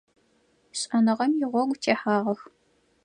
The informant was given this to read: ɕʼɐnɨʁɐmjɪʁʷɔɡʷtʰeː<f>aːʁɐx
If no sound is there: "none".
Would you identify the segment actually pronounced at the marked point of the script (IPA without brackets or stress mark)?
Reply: ħ